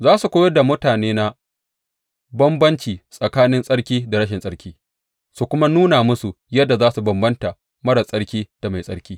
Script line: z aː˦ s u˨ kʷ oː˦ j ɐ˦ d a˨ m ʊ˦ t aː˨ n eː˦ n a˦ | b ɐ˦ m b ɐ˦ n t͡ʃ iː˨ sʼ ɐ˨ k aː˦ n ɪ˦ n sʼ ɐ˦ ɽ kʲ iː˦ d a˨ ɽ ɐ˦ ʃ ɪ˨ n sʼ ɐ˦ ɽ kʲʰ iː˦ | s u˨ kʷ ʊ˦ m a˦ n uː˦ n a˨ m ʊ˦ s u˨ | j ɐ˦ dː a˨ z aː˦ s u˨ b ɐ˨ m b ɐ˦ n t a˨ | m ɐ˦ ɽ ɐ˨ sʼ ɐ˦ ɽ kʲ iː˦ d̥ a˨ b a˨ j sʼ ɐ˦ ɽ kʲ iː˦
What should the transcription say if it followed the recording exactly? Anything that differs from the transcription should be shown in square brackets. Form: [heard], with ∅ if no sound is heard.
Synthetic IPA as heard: z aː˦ s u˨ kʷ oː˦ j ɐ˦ d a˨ m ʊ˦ t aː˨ n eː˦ n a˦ | b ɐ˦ m b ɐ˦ n t͡ʃ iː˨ sʼ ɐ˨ k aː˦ n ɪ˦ n sʼ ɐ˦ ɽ kʲ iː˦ d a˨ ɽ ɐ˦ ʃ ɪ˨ n sʼ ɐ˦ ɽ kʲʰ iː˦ | s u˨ kʷ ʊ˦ m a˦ n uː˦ n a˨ m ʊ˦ s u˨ | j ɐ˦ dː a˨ z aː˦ s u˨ b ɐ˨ m b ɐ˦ n t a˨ | m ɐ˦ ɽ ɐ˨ sʼ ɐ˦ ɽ kʲ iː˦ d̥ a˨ [m] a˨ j sʼ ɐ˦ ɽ kʲ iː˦